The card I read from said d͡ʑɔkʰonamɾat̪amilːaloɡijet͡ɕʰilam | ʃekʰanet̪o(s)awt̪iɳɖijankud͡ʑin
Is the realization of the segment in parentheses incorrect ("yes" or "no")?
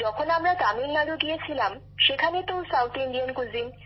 no